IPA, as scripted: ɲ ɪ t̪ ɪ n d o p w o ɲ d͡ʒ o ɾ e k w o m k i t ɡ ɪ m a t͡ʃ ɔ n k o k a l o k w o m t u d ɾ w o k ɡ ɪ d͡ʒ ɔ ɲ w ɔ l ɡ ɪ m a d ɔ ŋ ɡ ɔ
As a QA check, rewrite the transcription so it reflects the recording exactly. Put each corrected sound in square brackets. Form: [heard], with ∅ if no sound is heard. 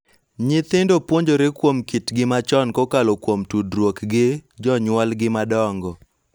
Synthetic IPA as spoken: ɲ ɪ t̪ ɪ n d o p w o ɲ d͡ʒ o ɾ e k w o m k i t ɡ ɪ m a t͡ʃ ɔ n k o k a l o k w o m t u d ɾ w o k ɡ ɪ d͡ʒ ɔ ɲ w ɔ l ɡ ɪ m a d ɔ ŋ ɡ ɔ

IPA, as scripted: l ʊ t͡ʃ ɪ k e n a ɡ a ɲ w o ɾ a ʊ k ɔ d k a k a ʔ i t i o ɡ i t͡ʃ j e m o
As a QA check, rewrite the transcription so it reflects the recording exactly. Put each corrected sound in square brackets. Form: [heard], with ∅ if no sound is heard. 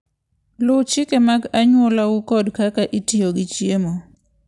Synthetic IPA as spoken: l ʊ t͡ʃ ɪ k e [m] a ɡ a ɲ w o [l] a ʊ k ɔ d k a k a ʔ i t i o ɡ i t͡ʃ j e m o

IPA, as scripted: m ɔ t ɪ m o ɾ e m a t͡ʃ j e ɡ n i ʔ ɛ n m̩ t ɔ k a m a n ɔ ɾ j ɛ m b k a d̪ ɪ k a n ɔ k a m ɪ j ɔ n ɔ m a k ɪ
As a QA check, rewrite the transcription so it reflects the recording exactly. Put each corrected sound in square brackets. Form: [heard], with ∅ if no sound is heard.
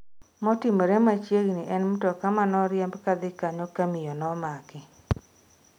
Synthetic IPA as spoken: m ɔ t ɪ m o ɾ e m a t͡ʃ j e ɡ n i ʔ ɛ n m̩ t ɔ k a m a n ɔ ɾ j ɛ m b k a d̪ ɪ k a [ɲ] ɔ k a m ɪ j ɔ n ɔ m a k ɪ

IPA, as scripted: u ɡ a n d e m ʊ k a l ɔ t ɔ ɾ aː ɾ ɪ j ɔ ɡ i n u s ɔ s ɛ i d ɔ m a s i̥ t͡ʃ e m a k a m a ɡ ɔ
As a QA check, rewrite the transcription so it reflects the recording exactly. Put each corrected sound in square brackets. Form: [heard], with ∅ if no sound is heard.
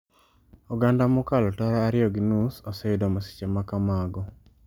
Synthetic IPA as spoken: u ɡ a n d [a] m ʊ k a l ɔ t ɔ ɾ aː ɾ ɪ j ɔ ɡ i n u s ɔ s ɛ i d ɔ m a s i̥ t͡ʃ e m a k a m a ɡ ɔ

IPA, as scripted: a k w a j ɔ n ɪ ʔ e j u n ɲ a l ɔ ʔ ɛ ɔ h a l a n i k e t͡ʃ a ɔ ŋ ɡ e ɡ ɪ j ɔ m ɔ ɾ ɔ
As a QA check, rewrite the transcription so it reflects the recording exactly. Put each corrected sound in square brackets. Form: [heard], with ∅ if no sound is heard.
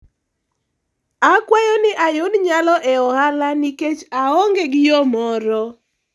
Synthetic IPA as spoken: a k w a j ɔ n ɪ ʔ [a] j [o] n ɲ a l ɔ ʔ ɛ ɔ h a l a n i k e t͡ʃ a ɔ ŋ ɡ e ɡ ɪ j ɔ m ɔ ɾ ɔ

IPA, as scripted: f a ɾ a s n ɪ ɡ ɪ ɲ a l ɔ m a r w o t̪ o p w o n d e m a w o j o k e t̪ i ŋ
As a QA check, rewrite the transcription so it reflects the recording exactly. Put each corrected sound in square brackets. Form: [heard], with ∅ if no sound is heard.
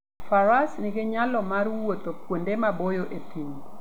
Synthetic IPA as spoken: f a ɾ a s n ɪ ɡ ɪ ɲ a l ɔ m a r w o t̪ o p w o n d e m a [b] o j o [ʔ] e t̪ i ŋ

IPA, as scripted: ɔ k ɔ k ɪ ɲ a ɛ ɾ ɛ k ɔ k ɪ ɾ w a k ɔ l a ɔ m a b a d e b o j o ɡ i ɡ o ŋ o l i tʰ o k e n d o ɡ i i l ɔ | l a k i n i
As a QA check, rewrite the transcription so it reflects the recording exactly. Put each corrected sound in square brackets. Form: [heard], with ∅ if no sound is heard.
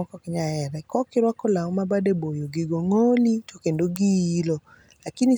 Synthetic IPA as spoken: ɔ k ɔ k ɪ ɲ a ɛ ɾ ɛ k ɔ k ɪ ɾ w a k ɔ l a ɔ m a b a d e b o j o ɡ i ɡ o ŋ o l i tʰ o k e n d o ɡ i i l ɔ | l a k i n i

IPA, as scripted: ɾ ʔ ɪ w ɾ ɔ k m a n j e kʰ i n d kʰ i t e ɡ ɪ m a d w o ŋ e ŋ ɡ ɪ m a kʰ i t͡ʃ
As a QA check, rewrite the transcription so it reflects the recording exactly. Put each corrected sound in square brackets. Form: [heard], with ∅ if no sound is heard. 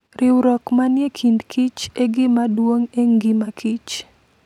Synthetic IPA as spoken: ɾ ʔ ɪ w ɾ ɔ k m a n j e kʰ i n d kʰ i [t͡ʃ] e ɡ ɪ m a d w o ŋ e ŋ ɡ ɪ m a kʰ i t͡ʃ

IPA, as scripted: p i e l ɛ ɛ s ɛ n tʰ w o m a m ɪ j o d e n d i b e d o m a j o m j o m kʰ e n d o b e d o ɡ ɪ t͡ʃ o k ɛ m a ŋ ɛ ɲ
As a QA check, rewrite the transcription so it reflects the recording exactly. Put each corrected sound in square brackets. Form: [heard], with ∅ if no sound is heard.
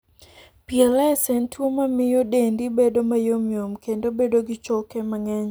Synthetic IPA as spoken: p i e l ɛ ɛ s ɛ n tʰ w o m a m ɪ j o d e n d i b e d o m a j o m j o m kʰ e n d o b e d o ɡ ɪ t͡ʃ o k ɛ m a ŋ ɛ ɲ

